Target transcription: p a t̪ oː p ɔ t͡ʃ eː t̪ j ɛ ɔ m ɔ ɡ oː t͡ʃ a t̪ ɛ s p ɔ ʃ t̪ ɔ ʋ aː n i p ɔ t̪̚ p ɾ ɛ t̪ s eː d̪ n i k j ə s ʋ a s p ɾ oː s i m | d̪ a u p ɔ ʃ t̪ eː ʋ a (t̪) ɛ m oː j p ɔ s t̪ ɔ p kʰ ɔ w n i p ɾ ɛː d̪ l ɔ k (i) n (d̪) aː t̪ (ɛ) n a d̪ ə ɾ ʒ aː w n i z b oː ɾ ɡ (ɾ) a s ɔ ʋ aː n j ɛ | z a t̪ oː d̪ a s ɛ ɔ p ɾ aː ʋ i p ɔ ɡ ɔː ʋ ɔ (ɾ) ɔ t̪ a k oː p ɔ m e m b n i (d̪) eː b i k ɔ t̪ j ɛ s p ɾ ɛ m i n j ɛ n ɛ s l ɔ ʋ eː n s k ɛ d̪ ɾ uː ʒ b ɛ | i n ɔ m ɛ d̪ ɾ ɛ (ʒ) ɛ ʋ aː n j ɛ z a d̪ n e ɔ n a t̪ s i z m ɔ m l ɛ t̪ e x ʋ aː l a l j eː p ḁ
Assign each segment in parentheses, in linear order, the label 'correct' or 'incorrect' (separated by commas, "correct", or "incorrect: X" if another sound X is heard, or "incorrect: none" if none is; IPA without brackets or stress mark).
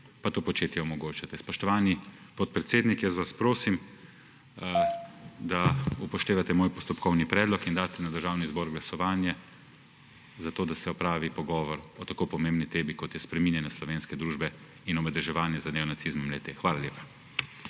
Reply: correct, correct, correct, correct, incorrect: l, correct, incorrect: t̪, correct